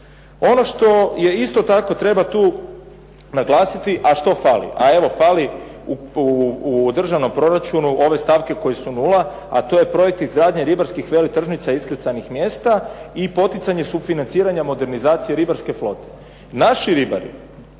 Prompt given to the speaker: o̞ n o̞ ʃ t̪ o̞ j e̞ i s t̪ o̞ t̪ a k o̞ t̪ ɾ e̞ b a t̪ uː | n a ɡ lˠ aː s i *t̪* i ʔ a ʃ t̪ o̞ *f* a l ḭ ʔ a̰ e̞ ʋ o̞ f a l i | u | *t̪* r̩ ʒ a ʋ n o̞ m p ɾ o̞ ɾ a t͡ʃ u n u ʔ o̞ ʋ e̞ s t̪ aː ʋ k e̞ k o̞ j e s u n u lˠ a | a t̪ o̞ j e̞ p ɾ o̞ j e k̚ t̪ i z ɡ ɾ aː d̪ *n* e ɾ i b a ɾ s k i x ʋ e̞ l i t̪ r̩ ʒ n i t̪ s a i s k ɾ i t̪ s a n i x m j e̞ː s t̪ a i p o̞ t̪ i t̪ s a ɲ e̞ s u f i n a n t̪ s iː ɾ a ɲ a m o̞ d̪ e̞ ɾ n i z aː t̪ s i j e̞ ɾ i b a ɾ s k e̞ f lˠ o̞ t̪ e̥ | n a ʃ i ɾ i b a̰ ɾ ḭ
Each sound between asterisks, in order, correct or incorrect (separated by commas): correct, correct, incorrect, incorrect